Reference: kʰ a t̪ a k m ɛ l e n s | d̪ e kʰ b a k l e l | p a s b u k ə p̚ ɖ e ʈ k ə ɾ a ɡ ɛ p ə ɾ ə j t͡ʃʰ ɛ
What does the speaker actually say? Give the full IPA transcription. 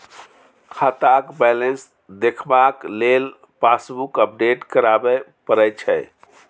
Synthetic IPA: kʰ a t̪ a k b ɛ l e n s | d̪ e kʰ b a k l e l | p a s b u k ə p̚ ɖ e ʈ k ə ɾ a b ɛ p ə ɾ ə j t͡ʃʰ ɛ